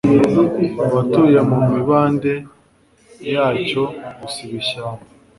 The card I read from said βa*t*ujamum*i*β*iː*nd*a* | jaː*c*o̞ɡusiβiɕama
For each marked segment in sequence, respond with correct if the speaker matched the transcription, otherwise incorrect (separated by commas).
correct, correct, incorrect, incorrect, correct